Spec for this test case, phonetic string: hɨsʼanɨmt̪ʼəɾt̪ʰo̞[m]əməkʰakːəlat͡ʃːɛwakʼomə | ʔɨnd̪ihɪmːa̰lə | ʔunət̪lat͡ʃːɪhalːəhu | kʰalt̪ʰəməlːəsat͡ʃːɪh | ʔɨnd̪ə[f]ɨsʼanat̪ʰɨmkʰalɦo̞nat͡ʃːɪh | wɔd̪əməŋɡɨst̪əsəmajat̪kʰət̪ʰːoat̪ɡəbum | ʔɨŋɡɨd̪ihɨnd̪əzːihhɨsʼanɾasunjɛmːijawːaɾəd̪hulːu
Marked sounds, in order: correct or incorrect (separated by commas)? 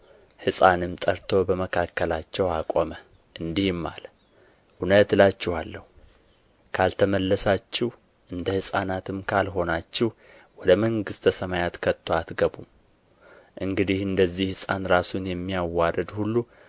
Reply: incorrect, incorrect